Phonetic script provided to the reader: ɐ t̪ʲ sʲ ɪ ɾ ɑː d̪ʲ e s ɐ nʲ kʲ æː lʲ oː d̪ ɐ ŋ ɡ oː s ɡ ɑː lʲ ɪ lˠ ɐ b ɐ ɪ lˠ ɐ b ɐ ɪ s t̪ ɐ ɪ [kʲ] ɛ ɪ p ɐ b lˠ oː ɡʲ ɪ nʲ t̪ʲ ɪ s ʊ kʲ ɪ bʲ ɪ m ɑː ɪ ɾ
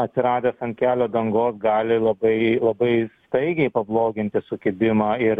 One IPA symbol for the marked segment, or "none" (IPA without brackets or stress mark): ɡʲ